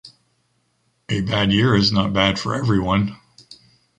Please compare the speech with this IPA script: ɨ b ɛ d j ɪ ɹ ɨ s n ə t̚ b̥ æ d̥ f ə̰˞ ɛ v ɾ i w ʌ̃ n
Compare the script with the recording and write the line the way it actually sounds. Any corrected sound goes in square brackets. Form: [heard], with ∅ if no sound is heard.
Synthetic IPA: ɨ b [æ] d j ɪ ɹ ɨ [z] n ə t̚ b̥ æ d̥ f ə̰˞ ɛ v [ɹ] i w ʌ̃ n